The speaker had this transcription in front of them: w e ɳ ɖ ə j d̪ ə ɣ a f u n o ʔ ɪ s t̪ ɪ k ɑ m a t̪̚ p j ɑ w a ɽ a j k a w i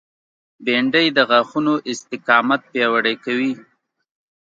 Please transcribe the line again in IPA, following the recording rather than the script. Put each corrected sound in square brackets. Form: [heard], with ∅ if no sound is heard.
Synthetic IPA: [b] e ɳ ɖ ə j d̪ ə ɣ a [x] u n o ʔ ɪ s t̪ ɪ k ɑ m a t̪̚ p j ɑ w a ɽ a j k a w i